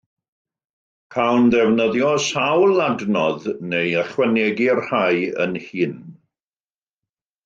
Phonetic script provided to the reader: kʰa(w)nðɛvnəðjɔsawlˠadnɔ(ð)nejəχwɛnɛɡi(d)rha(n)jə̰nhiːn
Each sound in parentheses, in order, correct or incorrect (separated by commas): correct, correct, incorrect, incorrect